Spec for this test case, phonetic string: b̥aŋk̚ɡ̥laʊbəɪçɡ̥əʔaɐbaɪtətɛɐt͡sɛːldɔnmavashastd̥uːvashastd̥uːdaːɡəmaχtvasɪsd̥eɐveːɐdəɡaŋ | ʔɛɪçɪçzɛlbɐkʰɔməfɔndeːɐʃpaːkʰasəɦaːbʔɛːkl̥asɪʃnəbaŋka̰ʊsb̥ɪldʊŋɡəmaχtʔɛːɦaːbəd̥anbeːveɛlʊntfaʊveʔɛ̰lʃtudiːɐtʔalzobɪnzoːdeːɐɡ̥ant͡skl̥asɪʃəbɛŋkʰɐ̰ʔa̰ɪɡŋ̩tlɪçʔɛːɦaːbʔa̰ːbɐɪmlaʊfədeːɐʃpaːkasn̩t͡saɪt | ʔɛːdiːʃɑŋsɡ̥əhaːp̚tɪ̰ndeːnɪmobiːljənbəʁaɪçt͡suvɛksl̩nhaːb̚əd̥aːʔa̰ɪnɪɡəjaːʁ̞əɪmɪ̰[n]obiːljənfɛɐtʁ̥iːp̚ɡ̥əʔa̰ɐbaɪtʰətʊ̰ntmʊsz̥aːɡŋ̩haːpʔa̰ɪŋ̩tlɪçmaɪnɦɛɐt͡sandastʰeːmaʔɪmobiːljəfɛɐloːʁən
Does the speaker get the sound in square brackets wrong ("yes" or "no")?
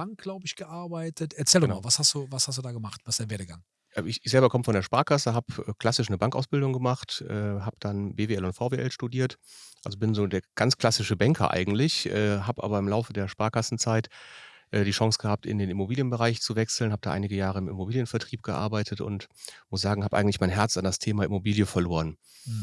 yes